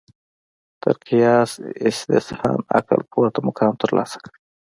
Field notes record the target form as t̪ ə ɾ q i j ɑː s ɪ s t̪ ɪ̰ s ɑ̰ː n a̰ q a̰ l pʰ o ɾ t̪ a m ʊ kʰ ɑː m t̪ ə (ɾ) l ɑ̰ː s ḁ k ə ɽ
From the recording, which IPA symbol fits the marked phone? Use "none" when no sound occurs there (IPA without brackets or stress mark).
ɾ